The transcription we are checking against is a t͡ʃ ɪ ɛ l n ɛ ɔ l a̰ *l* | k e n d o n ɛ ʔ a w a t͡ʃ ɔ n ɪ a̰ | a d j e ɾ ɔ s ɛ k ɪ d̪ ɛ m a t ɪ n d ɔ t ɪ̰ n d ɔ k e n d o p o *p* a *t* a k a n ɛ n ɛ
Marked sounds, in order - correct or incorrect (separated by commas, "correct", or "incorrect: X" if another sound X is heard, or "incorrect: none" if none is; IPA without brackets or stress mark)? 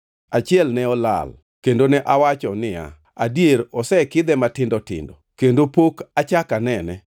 correct, incorrect: k, incorrect: t͡ʃ